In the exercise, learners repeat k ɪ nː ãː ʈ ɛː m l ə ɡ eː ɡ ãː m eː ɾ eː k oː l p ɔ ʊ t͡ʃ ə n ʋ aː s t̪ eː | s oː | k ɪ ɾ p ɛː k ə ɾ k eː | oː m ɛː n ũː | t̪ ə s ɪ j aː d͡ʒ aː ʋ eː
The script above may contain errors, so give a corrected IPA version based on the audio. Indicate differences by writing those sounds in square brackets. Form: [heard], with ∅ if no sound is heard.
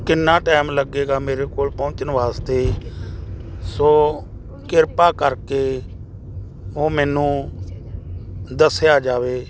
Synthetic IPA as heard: k ɪ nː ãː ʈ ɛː m l ə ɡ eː ɡ [aː] m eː ɾ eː k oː l p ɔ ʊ t͡ʃ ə n ʋ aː s t̪ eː | s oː | k ɪ ɾ p [aː] k ə ɾ k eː | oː m ɛː n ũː | [d̪] ə s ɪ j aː d͡ʒ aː ʋ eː